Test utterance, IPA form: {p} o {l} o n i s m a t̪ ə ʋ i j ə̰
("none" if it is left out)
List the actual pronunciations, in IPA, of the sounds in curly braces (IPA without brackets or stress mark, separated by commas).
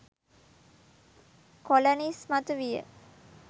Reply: k, l